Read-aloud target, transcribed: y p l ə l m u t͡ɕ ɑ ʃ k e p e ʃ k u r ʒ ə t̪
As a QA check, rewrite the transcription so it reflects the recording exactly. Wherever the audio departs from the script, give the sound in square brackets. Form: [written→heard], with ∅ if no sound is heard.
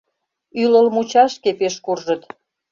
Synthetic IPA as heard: y [p→∅] l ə l m u t͡ɕ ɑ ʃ k e p e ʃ k u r ʒ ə t̪